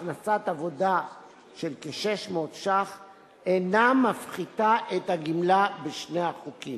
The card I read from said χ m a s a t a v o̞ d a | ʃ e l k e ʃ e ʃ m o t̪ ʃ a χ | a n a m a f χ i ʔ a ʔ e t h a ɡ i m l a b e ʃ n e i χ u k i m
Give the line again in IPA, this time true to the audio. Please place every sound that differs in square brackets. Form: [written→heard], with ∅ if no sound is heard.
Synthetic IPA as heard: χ [m→n] a s a t a v o̞ d a | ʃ e l k e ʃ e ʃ m o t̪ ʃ a χ | [a→e] n a m a f χ i [ʔ→t] a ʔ e t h a ɡ i m l a b e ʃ n e [i→a] χ u k i m